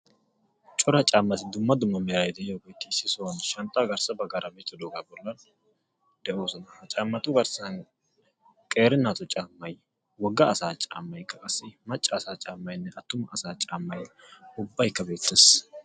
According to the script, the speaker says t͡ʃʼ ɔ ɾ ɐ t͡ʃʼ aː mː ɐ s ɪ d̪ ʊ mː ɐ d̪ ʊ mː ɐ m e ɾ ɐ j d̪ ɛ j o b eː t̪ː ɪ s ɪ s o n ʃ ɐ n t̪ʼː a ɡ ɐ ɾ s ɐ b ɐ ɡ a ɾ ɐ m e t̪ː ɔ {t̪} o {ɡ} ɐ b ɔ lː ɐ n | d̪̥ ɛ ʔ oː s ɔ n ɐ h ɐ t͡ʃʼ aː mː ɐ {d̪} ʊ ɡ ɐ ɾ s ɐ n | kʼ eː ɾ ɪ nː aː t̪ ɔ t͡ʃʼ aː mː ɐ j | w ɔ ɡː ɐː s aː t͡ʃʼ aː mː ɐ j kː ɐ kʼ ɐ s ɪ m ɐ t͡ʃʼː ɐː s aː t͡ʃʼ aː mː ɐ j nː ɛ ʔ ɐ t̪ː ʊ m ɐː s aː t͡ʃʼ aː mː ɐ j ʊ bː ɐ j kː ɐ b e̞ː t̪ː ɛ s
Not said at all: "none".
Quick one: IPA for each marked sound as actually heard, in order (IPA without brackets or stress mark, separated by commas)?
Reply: d̪, ɡ, t̪